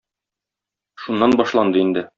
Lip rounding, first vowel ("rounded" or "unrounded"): rounded